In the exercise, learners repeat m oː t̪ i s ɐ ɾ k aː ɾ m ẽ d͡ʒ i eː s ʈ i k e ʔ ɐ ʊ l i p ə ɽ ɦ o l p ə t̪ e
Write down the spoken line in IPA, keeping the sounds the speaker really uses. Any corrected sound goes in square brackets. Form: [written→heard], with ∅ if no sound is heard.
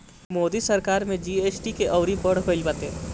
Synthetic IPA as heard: m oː [t̪→d̪] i s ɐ ɾ k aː ɾ m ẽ d͡ʒ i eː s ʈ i k e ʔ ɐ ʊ [l→ɾ] i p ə ɽ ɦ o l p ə t̪ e